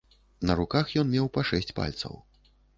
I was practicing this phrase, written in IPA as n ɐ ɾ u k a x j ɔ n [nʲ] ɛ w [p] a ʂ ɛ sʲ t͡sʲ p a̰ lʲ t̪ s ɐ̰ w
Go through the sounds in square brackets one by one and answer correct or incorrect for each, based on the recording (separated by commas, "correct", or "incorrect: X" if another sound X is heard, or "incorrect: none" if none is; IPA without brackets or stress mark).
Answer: incorrect: mʲ, correct